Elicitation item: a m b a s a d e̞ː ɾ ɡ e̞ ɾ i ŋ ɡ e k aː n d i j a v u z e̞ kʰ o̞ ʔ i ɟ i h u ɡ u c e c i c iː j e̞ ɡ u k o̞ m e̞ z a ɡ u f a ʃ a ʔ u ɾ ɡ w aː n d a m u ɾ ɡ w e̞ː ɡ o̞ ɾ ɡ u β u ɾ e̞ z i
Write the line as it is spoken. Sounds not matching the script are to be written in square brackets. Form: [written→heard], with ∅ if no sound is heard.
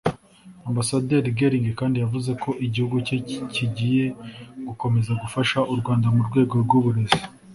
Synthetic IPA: a m b a s a d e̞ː ɾ ɡ e̞ ɾ i ŋ ɡ e k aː n d i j a v u z e̞ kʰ o̞ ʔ i ɟ i h u ɡ u c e c i [c→ɟ] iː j e̞ ɡ u k o̞ m e̞ z a ɡ u f a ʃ a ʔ u ɾ ɡ w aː n d a m u ɾ ɡ w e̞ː ɡ o̞ ɾ ɡ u β u ɾ e̞ z i